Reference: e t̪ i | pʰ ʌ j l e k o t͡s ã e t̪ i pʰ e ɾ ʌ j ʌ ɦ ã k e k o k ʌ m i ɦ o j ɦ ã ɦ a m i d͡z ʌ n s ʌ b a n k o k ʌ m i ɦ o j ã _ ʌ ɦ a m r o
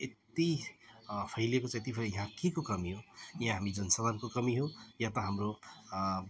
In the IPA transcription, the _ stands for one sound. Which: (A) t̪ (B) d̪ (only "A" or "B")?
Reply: A